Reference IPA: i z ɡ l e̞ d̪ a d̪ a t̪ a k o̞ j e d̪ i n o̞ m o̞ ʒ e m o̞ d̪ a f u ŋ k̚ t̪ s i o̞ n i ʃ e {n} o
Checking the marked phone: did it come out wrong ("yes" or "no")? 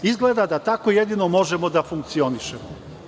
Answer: yes